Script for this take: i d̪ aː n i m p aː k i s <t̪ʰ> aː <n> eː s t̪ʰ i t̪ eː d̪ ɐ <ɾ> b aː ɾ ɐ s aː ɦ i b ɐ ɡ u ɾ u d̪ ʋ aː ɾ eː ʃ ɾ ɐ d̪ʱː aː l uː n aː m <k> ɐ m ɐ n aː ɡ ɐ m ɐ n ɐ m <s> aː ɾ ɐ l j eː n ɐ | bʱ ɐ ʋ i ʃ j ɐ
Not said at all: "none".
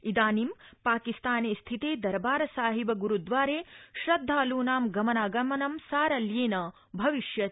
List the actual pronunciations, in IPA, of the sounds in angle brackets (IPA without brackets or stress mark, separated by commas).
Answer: t̪, n, ɾ, ɡ, s